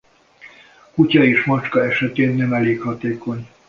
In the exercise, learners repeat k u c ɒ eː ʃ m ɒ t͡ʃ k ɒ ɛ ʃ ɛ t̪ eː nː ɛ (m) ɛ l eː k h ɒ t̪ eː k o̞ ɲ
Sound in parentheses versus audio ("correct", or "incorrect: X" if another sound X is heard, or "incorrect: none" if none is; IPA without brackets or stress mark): correct